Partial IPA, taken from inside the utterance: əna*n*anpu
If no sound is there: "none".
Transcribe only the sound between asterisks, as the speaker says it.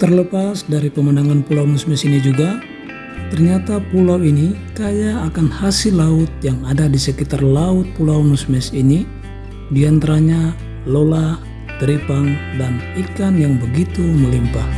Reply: ŋ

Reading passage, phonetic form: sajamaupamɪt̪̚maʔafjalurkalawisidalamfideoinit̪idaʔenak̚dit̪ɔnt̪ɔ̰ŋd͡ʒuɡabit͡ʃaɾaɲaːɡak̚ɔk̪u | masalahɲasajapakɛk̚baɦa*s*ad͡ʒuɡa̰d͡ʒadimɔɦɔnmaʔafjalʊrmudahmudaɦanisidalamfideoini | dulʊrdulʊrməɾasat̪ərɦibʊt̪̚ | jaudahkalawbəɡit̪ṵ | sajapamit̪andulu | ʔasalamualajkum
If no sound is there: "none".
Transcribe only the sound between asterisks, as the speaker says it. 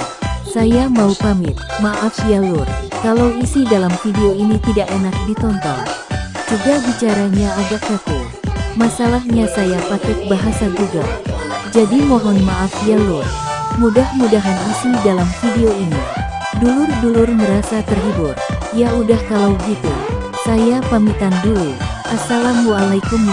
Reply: s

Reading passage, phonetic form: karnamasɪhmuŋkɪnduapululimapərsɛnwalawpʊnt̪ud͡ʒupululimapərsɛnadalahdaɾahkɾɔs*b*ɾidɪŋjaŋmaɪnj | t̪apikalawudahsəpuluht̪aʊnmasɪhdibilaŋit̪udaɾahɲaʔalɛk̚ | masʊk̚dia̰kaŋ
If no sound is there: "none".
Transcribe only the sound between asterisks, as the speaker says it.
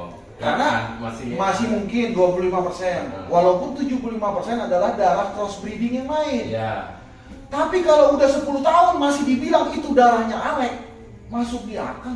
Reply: b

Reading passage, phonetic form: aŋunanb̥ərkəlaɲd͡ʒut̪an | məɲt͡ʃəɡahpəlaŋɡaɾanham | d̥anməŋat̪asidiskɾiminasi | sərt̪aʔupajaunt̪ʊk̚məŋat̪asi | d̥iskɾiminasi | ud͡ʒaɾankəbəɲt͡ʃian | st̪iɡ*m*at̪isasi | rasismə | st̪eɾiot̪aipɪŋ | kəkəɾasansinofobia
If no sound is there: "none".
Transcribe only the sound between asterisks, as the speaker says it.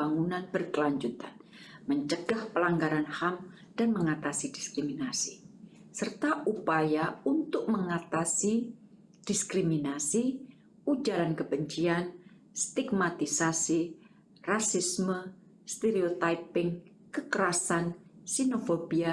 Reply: m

